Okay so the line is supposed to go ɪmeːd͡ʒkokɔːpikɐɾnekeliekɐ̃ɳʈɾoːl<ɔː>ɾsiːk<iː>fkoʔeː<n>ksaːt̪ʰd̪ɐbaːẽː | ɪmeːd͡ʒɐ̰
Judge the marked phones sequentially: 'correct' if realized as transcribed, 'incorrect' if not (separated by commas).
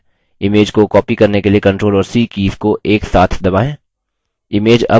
correct, correct, incorrect